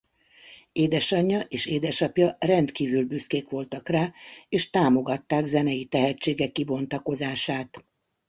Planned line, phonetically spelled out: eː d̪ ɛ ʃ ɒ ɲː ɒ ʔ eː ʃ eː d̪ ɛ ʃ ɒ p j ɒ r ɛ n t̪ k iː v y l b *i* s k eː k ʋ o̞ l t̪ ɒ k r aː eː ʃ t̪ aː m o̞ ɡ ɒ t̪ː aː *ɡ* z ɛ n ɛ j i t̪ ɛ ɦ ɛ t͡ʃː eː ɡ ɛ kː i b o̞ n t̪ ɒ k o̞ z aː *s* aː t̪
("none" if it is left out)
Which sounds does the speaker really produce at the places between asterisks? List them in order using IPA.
y, ɡ, ʃ

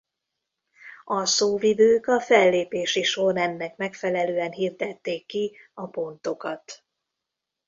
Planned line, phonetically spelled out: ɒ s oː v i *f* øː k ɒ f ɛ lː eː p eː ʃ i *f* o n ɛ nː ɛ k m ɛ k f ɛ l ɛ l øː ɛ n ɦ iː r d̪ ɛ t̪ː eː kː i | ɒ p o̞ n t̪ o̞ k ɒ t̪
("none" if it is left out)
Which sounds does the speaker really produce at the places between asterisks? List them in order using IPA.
v, ʃ

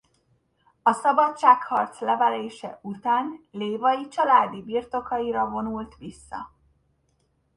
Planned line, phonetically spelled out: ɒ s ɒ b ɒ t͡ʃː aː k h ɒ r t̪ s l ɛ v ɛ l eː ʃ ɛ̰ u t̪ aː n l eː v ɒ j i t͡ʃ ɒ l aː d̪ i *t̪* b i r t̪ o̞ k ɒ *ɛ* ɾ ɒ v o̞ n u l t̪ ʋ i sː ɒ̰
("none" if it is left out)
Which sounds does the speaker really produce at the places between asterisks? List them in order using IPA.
none, i

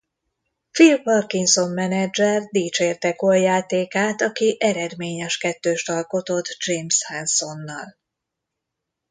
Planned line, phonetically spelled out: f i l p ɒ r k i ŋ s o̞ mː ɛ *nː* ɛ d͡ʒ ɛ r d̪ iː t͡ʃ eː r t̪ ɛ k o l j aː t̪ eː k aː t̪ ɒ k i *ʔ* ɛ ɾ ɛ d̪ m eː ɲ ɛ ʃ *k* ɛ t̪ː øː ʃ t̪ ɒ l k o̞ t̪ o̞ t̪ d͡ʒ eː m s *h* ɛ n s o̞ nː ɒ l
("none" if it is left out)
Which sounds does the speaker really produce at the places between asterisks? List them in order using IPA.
n, ʔ, k, h

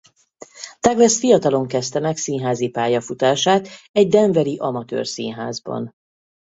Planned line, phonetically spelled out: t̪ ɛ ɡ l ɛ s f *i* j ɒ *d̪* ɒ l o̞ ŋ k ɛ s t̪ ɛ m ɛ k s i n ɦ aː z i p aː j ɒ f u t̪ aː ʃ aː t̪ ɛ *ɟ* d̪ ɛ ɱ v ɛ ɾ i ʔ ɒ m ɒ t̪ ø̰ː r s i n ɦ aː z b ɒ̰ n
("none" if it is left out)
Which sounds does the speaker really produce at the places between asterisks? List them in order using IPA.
i, t̪, ɟ

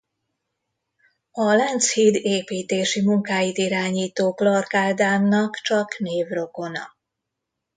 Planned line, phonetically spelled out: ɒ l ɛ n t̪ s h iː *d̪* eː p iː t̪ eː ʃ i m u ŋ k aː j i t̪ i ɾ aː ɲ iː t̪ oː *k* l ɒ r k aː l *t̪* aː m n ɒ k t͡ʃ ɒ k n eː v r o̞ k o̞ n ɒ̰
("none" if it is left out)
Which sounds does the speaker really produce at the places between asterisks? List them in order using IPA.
d̪, k, d̪

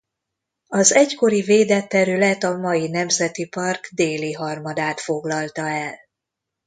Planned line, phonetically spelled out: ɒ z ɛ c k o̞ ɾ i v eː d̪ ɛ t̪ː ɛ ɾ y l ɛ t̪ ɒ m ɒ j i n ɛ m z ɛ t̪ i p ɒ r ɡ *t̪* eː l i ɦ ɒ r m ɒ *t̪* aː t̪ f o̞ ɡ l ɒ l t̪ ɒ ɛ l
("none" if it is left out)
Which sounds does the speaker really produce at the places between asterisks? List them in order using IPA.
d̪, d̪

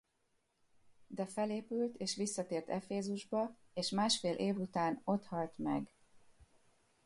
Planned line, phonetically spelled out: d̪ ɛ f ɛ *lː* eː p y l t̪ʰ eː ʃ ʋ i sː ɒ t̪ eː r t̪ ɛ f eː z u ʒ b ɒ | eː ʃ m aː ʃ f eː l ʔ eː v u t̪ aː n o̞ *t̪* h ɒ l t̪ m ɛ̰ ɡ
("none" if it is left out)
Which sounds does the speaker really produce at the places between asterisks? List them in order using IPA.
l, t̪

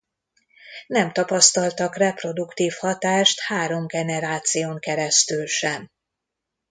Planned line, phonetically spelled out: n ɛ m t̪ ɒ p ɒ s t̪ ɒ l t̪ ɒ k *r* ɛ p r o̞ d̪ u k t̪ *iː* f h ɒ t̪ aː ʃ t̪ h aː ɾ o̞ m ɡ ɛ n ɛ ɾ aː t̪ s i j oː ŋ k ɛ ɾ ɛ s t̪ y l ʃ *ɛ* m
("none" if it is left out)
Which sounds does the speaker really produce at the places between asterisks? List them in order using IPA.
r, iː, ɛ

